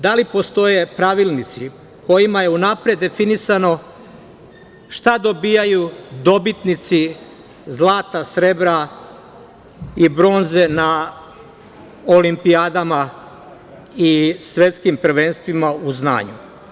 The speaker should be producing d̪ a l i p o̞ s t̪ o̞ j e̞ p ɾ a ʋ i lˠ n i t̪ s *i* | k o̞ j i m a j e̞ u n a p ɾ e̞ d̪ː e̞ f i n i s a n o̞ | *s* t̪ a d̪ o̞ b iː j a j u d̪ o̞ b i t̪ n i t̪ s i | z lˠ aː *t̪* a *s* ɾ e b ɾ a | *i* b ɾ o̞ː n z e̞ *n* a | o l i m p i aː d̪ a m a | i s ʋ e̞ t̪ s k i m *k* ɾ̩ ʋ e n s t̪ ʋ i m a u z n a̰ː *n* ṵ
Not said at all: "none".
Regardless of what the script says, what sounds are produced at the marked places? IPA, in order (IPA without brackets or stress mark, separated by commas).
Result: i, ʃ, t̪, s, i, n, p, ɲ